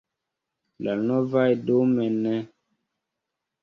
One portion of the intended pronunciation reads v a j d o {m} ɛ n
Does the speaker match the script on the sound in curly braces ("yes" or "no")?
yes